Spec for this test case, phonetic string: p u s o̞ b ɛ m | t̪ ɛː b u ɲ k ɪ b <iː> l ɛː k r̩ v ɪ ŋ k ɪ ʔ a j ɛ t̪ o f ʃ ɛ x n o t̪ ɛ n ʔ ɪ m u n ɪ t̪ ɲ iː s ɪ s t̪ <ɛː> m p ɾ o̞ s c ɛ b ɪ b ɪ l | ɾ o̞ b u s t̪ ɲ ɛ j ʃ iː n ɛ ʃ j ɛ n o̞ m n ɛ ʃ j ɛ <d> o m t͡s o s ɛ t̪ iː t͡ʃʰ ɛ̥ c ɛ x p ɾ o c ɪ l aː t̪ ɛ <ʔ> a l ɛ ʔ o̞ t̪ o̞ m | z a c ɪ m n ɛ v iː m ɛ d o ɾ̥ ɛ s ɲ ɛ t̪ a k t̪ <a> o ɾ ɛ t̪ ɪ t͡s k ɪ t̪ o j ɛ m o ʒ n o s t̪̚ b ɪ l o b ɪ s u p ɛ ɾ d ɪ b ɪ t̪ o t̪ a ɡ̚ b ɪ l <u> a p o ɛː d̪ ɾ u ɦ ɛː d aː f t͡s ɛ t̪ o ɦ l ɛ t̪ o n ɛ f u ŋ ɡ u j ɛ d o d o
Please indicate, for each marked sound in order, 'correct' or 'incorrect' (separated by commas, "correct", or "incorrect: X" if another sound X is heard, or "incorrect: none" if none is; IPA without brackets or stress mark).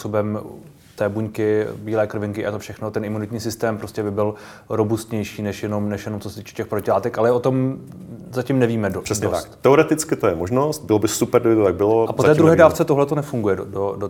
correct, correct, incorrect: n, incorrect: k, incorrect: ɛ, incorrect: o